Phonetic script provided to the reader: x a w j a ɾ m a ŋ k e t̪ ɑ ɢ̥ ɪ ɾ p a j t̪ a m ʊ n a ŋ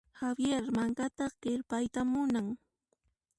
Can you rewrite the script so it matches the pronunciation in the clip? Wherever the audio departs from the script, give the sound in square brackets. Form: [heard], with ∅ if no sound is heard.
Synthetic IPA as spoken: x a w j [e] ɾ m a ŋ k [a] t̪ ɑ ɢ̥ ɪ ɾ p a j t̪ a m ʊ n a ŋ